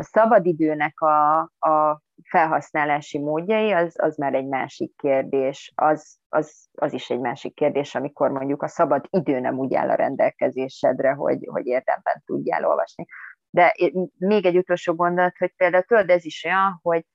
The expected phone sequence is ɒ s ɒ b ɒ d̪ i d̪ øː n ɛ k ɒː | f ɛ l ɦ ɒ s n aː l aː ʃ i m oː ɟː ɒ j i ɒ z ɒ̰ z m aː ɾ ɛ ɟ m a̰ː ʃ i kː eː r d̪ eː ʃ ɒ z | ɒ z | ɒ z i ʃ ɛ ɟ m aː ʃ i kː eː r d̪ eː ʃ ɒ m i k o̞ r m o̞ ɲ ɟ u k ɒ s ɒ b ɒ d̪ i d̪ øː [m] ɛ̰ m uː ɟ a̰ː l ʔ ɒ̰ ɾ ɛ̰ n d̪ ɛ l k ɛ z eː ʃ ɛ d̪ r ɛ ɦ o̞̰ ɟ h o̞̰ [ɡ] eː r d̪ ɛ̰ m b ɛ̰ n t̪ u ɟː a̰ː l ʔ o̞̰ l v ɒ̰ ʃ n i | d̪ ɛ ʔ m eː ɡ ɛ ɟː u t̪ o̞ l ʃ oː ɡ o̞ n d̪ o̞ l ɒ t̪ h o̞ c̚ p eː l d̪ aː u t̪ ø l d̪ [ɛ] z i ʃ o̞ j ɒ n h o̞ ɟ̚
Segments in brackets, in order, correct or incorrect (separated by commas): incorrect, incorrect, correct